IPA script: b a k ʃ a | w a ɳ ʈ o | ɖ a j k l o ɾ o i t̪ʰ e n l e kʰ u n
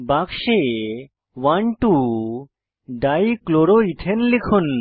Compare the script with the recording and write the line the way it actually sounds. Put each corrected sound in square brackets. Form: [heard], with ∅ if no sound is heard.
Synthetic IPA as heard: b a k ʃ [e] | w a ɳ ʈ [u] | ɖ a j k l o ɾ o i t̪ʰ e n l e kʰ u n

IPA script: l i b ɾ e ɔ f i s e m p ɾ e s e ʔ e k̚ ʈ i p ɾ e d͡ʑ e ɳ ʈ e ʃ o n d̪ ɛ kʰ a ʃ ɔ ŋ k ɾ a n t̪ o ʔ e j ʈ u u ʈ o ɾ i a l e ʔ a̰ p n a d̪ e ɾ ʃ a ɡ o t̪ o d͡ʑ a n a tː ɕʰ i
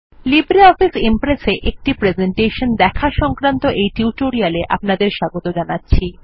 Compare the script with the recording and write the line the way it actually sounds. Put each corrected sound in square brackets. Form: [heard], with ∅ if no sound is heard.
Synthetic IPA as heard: l i b ɾ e ɔ f i s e m p ɾ e s e ʔ e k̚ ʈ i p ɾ e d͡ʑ e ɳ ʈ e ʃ o n d̪ ɛ kʰ a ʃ ɔ ŋ k ɾ a n t̪ o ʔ e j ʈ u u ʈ o ɾ i a l e ʔ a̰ p n a d̪ e ɾ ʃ a ɡ o t̪ o d͡ʑ a n a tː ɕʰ i

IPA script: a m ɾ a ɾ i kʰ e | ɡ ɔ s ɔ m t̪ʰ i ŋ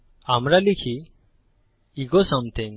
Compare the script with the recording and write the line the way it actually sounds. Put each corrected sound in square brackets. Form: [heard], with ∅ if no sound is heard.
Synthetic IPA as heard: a m ɾ a [l] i kʰ [i] | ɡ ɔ s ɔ m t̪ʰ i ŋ

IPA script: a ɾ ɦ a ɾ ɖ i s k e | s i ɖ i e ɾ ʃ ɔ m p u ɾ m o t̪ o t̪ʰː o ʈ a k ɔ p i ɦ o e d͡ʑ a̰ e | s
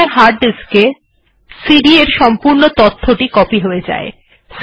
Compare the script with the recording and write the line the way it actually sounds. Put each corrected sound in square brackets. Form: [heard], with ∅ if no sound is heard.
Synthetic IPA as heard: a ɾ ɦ a ɾ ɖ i s k e | s i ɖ i e ɾ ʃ ɔ m p u ɾ [n] o t̪ o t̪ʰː o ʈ [i] k ɔ p i ɦ o e d͡ʑ a̰ e | s

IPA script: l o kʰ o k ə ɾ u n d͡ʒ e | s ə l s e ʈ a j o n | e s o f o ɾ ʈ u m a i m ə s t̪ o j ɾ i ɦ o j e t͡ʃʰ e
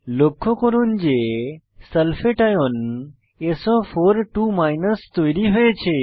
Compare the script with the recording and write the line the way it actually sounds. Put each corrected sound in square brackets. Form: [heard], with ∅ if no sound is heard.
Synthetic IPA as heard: l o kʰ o k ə ɾ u n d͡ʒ e | s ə l [f] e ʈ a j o n | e s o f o ɾ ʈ u m a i [n] ə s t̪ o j ɾ i ɦ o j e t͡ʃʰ e

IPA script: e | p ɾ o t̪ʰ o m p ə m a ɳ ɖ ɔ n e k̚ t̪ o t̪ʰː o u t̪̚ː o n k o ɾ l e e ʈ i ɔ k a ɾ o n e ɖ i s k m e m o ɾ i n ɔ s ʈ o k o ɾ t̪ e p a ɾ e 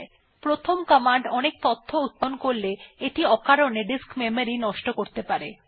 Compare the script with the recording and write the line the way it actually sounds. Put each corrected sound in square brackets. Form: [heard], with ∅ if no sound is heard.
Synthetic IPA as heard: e | p ɾ o t̪ʰ o m [k] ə m a ɳ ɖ ɔ n e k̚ t̪ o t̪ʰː o u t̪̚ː o n k o ɾ l e e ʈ i ɔ k a ɾ o n e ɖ i s k m e m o ɾ i n ɔ [ʃ] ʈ o k o ɾ t̪ e p a ɾ e

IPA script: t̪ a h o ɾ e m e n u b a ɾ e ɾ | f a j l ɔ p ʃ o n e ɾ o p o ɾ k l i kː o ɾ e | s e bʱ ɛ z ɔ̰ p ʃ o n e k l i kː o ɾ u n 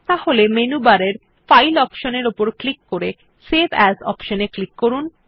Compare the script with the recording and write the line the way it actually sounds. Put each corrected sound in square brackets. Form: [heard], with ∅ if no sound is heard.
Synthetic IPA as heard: t̪ a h o [l] e m e n u b a ɾ e ɾ | f a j l ɔ p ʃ o n e ɾ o p o ɾ k l i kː o ɾ e | s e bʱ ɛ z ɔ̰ p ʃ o n e k l i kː o ɾ u n

